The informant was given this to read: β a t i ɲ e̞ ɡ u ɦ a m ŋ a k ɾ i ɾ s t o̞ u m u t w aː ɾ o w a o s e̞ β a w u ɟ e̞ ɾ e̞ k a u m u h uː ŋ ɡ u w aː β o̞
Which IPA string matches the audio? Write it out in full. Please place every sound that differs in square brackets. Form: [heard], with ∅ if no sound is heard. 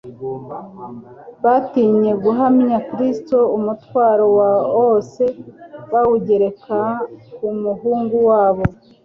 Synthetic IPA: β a t i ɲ e̞ ɡ u ɦ a m [ɲ] a k ɾ i [∅] s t o̞ u m u t w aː ɾ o w a o s e̞ β a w u ɟ e̞ ɾ e̞ k a u m u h uː ŋ ɡ u w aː β o̞

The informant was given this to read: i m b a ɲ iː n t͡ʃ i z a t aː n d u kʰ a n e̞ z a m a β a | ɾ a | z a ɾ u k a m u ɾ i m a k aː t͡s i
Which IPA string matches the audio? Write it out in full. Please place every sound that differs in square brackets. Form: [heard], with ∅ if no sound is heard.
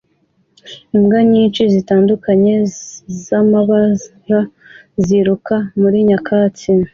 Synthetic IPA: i m [ɡ] a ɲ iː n t͡ʃ i z [i] t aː n d u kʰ a [ɲ] e̞ z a m a β a | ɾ a | z [i] ɾ u k a m u ɾ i [ɲ] a k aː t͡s i

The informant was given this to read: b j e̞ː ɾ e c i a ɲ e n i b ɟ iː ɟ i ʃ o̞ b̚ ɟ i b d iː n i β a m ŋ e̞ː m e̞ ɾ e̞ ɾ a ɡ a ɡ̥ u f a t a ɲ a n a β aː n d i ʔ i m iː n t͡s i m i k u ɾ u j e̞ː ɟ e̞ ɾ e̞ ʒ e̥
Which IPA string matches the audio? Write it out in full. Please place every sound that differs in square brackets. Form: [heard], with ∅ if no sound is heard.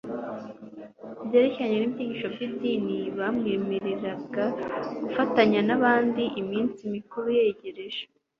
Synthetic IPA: b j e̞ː ɾ e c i a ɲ e n i b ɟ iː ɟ i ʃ o̞ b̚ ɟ i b d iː n i β a m ŋ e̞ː m e̞ ɾ e̞ ɾ a ɡ a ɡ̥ u f a t a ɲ a n a β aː n d i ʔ i m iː n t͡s i m i k u ɾ u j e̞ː ɟ e̞ ɾ e̞ ʒ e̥

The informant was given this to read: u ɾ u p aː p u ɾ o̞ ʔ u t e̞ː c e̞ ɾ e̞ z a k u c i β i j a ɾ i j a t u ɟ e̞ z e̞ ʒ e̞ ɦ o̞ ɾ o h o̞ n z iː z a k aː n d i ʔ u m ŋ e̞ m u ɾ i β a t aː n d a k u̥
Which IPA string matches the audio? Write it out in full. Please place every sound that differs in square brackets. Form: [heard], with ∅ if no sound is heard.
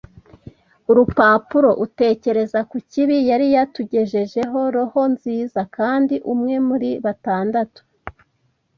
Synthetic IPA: u ɾ u p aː p u ɾ o̞ ʔ u t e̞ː c e̞ ɾ e̞ z a k u c i β i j a ɾ i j a t u ɟ e̞ [ʒ] e̞ ʒ e̞ ɦ o̞ ɾ o h o̞ n z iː z a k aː n d i ʔ u m ŋ e̞ m u ɾ i β a t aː n d a [t] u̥

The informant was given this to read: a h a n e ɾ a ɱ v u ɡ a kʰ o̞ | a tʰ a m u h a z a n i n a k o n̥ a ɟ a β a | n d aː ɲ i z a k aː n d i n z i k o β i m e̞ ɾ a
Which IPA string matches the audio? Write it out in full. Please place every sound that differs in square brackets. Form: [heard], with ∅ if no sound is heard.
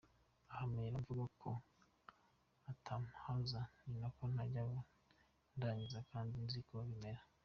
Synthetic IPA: a h a [m] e ɾ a ɱ v u ɡ a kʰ o̞ | a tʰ a m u h a z a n i n a k o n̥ a ɟ a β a | n d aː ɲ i z a k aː n d i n z i k o β i m e̞ ɾ a

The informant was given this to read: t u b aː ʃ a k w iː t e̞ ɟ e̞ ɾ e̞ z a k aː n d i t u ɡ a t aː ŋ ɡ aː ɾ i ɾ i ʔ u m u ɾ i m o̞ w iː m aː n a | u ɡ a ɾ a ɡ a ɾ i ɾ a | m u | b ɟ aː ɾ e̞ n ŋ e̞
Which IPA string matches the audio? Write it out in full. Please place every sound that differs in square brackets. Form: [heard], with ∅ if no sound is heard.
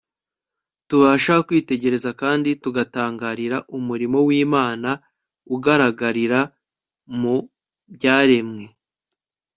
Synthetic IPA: t u [β] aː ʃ a k w iː t e̞ ɟ e̞ ɾ e̞ z a k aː n d i t u ɡ a t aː ŋ ɡ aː ɾ i ɾ [a] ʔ u m u ɾ i m o̞ w iː m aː n a | u ɡ a ɾ a ɡ a ɾ i ɾ a | m u | b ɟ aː ɾ e̞ [m] ŋ e̞

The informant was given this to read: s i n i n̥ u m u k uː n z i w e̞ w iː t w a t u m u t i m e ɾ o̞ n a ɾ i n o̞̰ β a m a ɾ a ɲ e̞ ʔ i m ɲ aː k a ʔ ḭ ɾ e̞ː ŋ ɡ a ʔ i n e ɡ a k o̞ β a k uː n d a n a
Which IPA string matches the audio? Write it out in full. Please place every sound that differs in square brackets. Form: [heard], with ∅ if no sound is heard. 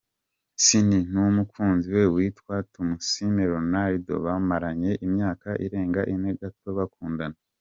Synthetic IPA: s i n i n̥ u m u k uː n z i w e̞ w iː t w a t u m u [s] i m e ɾ o̞ n a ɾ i [d] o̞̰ β a m a ɾ a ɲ e̞ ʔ i m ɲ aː k a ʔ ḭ ɾ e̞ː ŋ ɡ a ʔ i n e ɡ a [t] o̞ β a k uː n d a n a

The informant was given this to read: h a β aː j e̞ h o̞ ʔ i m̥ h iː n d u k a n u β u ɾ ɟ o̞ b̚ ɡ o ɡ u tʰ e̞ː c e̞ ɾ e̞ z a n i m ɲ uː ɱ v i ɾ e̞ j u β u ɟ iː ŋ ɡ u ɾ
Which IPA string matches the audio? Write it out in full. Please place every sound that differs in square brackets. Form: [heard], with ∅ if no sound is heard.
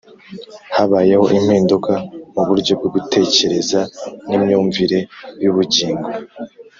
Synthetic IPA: h a β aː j e̞ h o̞ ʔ i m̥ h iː n d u k a [m] u β u ɾ ɟ o̞ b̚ ɡ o ɡ u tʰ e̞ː c e̞ ɾ e̞ z a n i m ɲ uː ɱ v i ɾ e̞ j u β u ɟ iː ŋ ɡ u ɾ

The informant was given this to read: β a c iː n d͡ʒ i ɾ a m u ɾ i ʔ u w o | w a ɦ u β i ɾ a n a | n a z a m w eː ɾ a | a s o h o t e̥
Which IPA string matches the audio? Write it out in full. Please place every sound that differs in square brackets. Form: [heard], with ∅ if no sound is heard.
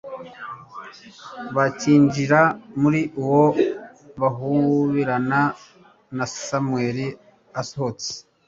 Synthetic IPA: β a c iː [ɲ] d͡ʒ i ɾ a m u ɾ i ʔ u w o | [β] a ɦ u β i ɾ a n a | n a [s] a m w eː ɾ [i] | a s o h o [t͡s] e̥

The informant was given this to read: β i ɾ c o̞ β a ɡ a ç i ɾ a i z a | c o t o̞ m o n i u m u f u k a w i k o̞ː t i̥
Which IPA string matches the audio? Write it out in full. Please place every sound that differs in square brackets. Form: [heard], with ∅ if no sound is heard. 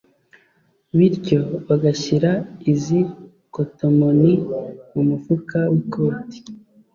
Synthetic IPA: β i ɾ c o̞ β a ɡ a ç i ɾ a i z [i] | [k] o t o̞ m o n i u m u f u k a w i k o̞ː t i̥

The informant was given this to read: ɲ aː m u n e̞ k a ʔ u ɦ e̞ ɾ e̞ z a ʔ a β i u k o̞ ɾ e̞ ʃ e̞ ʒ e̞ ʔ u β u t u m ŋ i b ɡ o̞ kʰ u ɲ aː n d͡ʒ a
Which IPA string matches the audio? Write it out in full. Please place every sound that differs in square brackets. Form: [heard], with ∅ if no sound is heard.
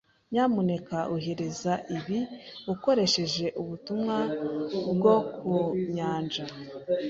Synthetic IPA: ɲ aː m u n e̞ k a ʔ u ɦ e̞ ɾ e̞ z a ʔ [i] β i u k o̞ ɾ e̞ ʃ e̞ ʒ e̞ ʔ u β u t u m ŋ [a] b ɡ o̞ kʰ u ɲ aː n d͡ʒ a

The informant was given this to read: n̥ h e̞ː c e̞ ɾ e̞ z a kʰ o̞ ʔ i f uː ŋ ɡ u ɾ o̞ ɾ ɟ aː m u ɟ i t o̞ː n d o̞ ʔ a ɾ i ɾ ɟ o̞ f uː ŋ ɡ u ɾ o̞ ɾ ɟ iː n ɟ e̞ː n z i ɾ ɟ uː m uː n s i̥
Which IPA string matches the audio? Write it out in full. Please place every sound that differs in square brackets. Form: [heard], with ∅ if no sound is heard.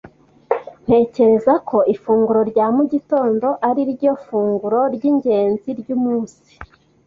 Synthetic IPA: n̥ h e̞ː c e̞ ɾ e̞ z a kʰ o̞ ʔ i f uː ŋ ɡ u ɾ o̞ ɾ ɟ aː m u ɟ i t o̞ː n d o̞ ʔ a ɾ i ɾ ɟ o̞ f uː ŋ ɡ u ɾ o̞ ɾ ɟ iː [ɲ] ɟ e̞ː n z i ɾ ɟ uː m uː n s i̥

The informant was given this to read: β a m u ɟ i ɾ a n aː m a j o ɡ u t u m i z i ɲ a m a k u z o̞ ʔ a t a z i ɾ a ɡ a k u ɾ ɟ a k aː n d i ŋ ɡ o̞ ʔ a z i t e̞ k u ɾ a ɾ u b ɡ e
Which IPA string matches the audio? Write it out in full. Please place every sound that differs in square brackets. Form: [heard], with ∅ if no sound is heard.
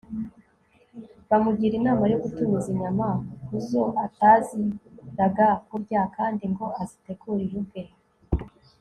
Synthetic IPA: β a m u ɟ i ɾ [i] n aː m a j o ɡ u t u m i z i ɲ a m a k u z o̞ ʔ a t a z i ɾ a ɡ a k u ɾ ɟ a k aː n d i ŋ ɡ o̞ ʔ a z i t e̞ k u ɾ [i] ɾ u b ɡ e

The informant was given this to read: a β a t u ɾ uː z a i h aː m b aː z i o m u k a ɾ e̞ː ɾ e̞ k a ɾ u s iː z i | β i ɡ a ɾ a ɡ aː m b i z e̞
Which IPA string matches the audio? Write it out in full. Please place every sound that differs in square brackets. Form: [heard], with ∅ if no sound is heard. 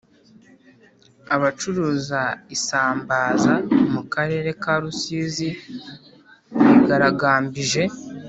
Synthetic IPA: a β a [t͡ʃ] u ɾ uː z a i [s] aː m b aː z [a] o m u k a ɾ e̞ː ɾ e̞ k a ɾ u s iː z i | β i ɡ a ɾ a ɡ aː m b i [ʒ] e̞

